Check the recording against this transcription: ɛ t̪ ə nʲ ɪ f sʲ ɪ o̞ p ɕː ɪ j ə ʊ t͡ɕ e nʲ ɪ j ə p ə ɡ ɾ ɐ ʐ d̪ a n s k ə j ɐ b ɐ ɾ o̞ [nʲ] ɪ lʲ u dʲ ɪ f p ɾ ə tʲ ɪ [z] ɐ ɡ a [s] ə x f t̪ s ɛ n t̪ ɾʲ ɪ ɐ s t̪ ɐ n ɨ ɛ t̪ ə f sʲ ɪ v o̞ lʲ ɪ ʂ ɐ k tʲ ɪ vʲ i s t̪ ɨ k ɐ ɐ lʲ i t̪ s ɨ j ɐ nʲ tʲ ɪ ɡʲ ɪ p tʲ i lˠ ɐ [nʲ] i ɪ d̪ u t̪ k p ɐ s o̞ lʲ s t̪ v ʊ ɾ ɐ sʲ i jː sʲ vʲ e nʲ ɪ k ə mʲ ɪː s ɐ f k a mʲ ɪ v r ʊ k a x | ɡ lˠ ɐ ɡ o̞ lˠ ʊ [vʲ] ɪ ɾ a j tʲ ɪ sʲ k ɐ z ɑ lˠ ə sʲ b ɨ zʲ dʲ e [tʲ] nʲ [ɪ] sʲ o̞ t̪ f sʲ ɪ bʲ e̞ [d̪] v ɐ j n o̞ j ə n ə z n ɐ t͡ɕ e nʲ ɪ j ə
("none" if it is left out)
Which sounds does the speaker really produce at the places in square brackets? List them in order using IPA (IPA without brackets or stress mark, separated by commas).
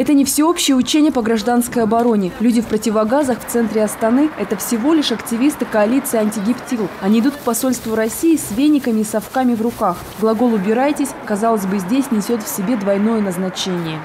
nʲ, v, z, nʲ, bʲ, sʲ, ɪ, d̪